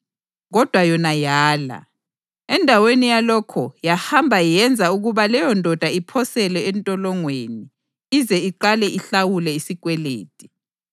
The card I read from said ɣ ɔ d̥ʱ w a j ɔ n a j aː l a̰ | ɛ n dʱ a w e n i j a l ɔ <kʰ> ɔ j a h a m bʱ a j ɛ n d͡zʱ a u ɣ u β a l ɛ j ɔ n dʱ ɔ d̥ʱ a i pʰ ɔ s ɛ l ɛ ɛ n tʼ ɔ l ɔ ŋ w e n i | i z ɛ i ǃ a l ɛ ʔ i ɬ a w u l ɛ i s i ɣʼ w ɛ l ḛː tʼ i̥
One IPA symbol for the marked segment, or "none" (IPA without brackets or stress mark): kʰ